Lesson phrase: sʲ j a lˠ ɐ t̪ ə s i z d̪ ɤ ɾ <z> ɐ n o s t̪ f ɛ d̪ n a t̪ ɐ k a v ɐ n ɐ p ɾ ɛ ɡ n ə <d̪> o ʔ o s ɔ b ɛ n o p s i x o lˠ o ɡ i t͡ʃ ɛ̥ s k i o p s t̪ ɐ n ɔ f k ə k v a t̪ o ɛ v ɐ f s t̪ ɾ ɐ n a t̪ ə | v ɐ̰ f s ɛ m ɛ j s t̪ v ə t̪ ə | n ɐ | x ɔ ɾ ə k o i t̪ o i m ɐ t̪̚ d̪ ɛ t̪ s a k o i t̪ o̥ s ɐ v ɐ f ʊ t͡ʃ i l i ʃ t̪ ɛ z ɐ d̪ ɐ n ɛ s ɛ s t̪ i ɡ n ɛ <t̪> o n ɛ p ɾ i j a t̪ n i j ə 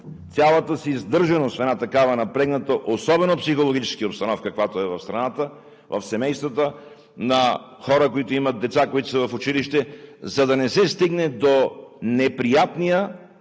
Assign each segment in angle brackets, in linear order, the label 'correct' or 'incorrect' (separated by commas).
incorrect, incorrect, incorrect